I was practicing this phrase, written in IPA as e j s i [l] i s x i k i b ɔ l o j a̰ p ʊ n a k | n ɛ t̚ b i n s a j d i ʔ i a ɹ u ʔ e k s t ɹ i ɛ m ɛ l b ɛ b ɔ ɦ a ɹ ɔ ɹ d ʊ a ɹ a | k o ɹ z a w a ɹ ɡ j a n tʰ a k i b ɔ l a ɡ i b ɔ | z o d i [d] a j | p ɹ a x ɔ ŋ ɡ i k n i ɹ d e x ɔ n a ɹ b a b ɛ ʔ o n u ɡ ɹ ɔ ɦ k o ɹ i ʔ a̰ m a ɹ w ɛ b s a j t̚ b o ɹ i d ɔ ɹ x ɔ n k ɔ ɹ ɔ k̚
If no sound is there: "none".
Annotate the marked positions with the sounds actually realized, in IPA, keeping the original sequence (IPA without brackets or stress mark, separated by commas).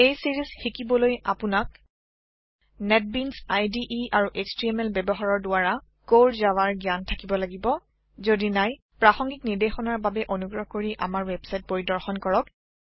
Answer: ɹ, n